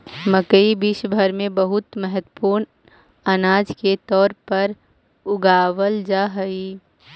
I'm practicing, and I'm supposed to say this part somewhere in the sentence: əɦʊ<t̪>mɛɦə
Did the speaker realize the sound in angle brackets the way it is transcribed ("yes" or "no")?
yes